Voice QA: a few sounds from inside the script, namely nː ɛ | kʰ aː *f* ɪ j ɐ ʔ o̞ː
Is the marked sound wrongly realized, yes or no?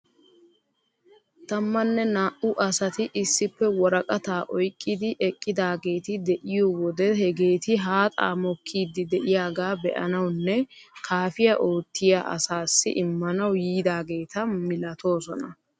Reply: no